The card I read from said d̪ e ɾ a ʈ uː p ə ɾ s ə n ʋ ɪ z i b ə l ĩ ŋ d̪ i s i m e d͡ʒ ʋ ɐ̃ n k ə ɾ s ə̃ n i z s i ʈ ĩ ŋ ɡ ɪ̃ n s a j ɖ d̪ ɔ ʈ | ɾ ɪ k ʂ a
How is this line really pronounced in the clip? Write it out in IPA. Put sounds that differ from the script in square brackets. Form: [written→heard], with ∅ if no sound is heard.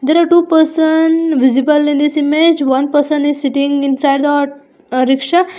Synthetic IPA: d̪ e ɾ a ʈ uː p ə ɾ s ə n ʋ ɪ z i b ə l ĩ [ŋ→n] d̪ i s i m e d͡ʒ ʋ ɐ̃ n [k→p] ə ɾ s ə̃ n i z s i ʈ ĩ ŋ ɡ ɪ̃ n s a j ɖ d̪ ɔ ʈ | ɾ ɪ k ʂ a